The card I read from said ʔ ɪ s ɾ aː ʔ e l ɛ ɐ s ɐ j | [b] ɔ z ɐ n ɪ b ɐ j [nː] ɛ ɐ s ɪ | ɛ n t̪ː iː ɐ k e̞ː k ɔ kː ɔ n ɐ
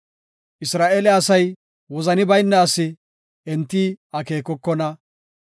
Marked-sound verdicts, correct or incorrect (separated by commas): incorrect, correct